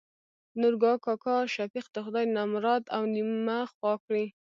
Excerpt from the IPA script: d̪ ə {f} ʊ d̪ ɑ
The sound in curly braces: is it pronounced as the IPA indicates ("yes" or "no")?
no